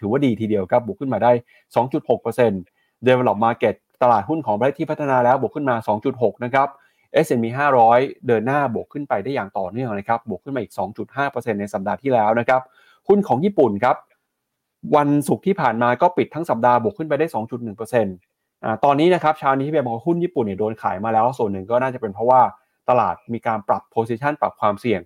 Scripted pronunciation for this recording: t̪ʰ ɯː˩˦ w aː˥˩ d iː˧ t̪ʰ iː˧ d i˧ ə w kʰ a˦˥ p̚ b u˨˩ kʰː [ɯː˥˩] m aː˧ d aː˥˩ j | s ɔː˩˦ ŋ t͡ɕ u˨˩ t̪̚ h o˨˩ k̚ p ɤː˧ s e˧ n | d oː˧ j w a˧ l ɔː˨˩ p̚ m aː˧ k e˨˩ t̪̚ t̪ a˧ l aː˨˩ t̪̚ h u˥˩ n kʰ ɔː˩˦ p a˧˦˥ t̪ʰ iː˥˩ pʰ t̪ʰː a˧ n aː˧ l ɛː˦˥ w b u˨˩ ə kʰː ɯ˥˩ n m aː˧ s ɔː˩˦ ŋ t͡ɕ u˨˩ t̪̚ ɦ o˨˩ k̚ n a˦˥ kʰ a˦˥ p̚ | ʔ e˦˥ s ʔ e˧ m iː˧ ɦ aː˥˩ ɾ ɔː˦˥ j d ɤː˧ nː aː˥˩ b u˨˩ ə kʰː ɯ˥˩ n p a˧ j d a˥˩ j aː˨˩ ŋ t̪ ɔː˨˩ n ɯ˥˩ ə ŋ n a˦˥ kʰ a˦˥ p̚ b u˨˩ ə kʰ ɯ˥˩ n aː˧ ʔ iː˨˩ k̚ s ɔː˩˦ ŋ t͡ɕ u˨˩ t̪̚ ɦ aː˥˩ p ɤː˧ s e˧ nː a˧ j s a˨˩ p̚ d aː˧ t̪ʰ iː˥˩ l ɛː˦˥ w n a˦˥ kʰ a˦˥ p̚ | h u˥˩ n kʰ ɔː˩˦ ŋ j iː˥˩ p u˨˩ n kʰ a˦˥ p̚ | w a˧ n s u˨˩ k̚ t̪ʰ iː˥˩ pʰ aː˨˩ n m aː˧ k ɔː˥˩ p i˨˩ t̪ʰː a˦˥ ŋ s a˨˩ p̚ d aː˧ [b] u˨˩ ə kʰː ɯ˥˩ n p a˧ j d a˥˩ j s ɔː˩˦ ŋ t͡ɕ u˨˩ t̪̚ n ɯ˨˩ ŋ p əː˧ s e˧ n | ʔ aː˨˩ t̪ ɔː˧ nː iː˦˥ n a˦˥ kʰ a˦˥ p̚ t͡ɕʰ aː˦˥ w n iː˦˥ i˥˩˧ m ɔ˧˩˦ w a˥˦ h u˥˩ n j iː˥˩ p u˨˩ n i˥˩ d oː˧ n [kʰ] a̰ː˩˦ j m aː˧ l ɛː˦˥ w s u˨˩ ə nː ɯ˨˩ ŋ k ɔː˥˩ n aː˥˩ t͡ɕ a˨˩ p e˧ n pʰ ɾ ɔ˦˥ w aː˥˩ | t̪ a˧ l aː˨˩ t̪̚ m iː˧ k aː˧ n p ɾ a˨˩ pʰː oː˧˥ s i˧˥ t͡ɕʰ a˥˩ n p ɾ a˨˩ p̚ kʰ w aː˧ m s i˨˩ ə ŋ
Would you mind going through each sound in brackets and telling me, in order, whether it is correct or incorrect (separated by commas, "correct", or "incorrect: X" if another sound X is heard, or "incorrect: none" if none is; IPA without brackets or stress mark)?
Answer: incorrect: ɯ˥˩, correct, correct